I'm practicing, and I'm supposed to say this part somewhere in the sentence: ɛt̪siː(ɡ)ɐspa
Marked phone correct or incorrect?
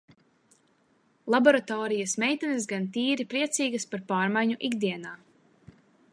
correct